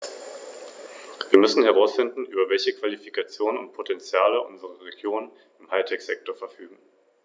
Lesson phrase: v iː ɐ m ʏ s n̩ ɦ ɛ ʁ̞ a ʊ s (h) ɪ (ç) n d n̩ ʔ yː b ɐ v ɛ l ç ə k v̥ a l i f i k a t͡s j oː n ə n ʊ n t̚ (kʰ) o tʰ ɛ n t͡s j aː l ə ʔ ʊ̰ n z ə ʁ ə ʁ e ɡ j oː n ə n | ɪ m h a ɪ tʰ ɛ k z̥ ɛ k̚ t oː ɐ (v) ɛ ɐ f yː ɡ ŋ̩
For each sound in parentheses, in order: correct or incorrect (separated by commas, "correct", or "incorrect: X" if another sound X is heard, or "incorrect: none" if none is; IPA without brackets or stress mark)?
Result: incorrect: f, incorrect: none, incorrect: pʰ, incorrect: f